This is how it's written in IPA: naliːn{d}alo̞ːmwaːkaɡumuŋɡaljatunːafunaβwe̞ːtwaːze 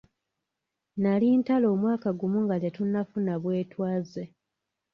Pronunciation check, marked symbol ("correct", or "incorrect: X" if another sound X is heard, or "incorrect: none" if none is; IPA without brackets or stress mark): incorrect: t